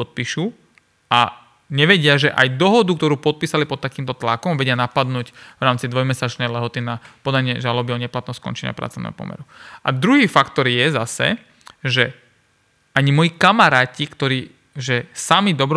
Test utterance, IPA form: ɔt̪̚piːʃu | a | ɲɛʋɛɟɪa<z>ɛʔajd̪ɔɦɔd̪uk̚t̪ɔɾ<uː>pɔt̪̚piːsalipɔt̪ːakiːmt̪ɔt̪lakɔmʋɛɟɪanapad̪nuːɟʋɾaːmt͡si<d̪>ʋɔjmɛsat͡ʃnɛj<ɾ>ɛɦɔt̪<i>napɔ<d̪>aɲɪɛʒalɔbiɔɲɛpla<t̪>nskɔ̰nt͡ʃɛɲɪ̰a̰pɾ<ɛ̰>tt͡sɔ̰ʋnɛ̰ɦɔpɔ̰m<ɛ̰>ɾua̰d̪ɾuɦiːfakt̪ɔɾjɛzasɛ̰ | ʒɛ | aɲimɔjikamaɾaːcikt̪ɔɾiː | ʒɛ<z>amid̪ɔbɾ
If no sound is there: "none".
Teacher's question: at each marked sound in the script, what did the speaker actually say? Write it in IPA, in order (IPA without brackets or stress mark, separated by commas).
ʒ, uː, d̪, l, i, d̪, t̪, a̰, ɛ̰, s